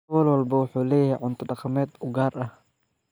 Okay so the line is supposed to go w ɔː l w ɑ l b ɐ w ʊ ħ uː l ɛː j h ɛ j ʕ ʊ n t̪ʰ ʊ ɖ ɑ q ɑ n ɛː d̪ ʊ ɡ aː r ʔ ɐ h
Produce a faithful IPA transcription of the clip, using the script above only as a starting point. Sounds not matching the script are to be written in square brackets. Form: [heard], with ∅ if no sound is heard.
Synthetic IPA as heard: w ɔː l w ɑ l b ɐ w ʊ ħ uː l ɛː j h ɛ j ʕ ʊ n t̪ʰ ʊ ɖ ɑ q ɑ [m] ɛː d̪ ʊ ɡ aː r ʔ ɐ h

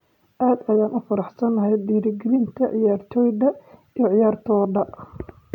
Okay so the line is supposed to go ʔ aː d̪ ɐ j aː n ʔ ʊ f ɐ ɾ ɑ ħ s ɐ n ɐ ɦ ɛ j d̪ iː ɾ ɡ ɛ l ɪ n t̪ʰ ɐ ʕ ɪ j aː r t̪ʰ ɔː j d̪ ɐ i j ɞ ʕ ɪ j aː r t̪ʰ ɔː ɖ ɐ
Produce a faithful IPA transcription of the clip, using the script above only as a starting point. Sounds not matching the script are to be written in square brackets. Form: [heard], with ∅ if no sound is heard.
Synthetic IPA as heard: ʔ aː d̪ ɐ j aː n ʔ ʊ f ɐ ɾ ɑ ħ s ɐ n ɐ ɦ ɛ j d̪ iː ɾ ɡ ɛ l ɪ n t̪ʰ ɐ ʕ ɪ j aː r t̪ʰ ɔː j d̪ ɐ i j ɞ ʕ ɪ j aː r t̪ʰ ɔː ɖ ɐ

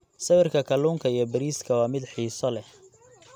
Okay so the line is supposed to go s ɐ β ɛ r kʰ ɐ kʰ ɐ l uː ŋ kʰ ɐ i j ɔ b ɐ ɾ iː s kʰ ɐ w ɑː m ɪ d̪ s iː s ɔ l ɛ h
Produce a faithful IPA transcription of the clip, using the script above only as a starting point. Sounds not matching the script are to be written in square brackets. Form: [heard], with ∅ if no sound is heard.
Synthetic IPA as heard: s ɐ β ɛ r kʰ ɐ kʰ ɐ l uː ŋ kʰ ɐ i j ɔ b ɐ ɾ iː s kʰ ɐ w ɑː m ɪ d̪ [ħ] iː s ɔ l ɛ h

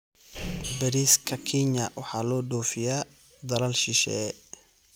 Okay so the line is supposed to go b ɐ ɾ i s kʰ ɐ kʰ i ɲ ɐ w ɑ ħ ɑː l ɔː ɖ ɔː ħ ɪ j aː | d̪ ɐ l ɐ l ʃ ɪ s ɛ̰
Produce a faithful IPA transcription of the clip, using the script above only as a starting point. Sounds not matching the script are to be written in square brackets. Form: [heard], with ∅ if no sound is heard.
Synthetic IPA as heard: b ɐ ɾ i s kʰ ɐ kʰ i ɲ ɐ w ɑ ħ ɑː l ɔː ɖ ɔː [f] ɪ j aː | d̪ ɐ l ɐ l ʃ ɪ [ʃ] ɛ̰

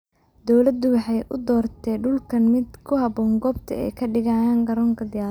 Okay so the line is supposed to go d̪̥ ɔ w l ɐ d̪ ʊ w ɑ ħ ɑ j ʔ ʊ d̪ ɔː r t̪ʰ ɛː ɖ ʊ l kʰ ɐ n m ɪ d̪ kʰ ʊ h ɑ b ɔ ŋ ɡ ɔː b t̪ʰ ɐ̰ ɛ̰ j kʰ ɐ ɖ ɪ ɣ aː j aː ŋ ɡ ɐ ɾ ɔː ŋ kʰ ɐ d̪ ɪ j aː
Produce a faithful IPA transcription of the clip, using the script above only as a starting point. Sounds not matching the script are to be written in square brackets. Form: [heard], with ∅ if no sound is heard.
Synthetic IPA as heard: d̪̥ ɔ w l ɐ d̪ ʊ w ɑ ħ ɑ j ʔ ʊ d̪ ɔː r t̪ʰ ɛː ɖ ʊ l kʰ ɐ n m ɪ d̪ kʰ ʊ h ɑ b [ɔː] ŋ ɡ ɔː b t̪ʰ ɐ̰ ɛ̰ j kʰ ɐ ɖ ɪ ɣ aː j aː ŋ ɡ ɐ ɾ ɔː ŋ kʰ ɐ d̪ ɪ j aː

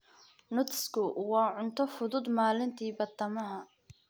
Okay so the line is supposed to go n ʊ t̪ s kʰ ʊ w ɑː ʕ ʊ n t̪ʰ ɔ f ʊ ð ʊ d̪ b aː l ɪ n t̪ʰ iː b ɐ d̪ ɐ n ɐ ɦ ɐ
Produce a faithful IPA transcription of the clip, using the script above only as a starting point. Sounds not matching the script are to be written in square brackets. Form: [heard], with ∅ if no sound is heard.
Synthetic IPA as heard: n ʊ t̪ s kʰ ʊ w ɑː ʕ ʊ n t̪ʰ ɔ f ʊ ð ʊ d̪ [m] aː l ɪ n t̪ʰ iː b ɐ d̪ ɐ [m] ɐ ɦ ɐ

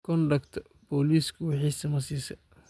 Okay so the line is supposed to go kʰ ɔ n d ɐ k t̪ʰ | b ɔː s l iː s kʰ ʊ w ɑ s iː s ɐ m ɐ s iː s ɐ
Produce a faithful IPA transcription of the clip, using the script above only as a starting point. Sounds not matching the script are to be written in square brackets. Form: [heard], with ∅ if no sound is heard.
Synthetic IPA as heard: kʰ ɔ n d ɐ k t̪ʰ | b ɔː [∅] l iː s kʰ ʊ w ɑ [ħ] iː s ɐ m ɐ s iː s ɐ

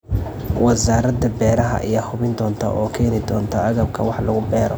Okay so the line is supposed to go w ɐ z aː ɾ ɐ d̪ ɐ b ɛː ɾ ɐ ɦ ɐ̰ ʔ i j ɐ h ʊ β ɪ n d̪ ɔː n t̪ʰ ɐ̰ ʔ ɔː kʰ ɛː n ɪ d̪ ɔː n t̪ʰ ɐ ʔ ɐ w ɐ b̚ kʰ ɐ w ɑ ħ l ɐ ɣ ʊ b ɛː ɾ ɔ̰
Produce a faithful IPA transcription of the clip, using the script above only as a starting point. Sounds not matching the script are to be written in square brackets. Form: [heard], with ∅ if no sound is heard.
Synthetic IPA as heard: w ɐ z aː ɾ ɐ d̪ ɐ b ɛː ɾ ɐ ɦ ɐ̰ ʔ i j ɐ h ʊ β ɪ n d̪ ɔː n t̪ʰ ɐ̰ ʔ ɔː kʰ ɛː n ɪ d̪ ɔː n t̪ʰ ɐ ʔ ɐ [ɣ] ɐ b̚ kʰ ɐ w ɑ ħ l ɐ ɣ ʊ b ɛː ɾ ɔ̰

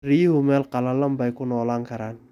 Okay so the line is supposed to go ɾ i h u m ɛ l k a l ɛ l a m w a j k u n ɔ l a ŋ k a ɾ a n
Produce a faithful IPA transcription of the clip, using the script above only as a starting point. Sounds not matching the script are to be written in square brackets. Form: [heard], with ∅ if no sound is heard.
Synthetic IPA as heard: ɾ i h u m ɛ l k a l [a] l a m [b] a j k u n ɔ l a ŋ k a ɾ a n

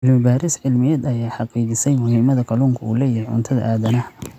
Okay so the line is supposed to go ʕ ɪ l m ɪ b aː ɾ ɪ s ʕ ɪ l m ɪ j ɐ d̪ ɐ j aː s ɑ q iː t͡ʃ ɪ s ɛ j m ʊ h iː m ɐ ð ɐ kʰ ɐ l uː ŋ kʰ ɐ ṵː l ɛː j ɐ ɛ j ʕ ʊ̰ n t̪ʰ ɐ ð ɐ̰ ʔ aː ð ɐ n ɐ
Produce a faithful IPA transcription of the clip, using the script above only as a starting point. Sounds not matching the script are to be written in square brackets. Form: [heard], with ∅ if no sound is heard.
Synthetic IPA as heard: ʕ ɪ l m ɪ b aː ɾ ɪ s ʕ ɪ l m ɪ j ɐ d̪ ɐ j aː [ħ] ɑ q iː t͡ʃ ɪ s ɛ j m ʊ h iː m ɐ ð ɐ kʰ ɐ l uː ŋ kʰ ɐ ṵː l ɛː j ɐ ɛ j ʕ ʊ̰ n t̪ʰ ɐ ð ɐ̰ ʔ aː ð ɐ n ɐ

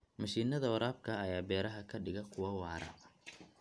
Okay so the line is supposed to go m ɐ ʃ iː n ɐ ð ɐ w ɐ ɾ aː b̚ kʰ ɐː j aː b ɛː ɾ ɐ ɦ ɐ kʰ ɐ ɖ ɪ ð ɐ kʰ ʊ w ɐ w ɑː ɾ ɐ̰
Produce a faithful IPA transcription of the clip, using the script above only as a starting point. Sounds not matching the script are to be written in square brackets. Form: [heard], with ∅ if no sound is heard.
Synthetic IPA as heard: m ɐ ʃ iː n ɐ ð ɐ w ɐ ɾ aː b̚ kʰ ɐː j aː b ɛː ɾ ɐ ɦ ɐ kʰ ɐ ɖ ɪ [ɣ] ɐ kʰ ʊ w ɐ w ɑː ɾ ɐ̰

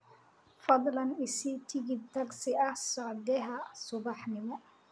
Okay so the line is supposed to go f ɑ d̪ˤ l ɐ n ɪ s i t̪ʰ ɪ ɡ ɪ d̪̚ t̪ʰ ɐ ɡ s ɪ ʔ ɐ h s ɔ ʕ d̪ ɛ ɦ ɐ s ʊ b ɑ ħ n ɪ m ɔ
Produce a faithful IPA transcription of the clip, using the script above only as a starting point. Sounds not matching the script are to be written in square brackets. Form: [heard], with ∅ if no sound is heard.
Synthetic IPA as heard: f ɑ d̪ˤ l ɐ n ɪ s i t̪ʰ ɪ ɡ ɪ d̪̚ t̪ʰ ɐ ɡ s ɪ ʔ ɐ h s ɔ ʕ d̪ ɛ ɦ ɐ s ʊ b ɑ ħ n ɪ m ɔ

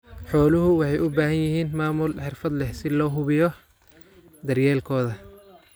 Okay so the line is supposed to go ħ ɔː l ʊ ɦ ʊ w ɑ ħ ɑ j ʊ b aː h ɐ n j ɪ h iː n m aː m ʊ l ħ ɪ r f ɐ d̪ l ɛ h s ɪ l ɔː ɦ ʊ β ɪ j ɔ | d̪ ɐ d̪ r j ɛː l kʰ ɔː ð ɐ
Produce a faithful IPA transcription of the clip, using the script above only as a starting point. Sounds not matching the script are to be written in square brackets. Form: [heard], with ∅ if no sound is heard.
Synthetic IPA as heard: ħ ɔː l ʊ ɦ ʊ w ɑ ħ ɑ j ʊ b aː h ɐ n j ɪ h iː n m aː m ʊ l ħ ɪ r f ɐ d̪ l ɛ h s ɪ l ɔː ɦ ʊ β ɪ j ɔ | d̪ ɐ [∅] r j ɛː l kʰ ɔː ð ɐ

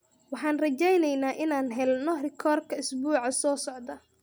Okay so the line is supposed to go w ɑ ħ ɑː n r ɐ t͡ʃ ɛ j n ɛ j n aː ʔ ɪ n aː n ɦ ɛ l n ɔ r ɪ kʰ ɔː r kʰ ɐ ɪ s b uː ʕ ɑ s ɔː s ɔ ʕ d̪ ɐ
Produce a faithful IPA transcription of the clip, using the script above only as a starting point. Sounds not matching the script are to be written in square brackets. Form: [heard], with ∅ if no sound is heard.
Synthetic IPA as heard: w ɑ ħ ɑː n r ɐ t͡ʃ ɛ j n ɛ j n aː ʔ ɪ n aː n ɦ ɛ l n ɔ r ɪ kʰ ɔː r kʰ ɐ ɪ s b uː ʕ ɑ s ɔː s ɔ ʕ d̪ ɐ

